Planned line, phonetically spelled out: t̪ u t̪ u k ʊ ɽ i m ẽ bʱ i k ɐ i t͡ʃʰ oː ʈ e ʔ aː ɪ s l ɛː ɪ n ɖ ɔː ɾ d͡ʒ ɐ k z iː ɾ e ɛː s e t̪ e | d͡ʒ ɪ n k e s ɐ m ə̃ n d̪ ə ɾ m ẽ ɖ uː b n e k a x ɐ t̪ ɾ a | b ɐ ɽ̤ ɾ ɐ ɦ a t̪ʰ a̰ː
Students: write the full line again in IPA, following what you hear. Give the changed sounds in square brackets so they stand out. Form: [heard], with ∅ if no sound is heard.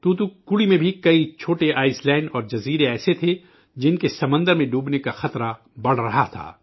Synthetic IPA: t̪ u t̪ u k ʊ ɽ i m ẽ bʱ i k ɐ i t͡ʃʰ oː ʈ e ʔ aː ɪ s l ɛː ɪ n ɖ ɔː ɾ d͡ʒ ɐ [∅] z iː ɾ e ɛː s e [t̪ʰ] e | d͡ʒ ɪ n k e s ɐ m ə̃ n d̪ ə ɾ m ẽ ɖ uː b n e k a x ɐ t̪ ɾ a | b ɐ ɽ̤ ɾ ɐ ɦ a t̪ʰ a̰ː